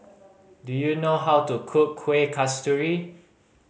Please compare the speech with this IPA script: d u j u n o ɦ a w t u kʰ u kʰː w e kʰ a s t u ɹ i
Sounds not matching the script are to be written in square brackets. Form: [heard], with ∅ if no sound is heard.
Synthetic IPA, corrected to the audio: d u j u n o ɦ a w t u kʰ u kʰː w e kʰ a s t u ɹ i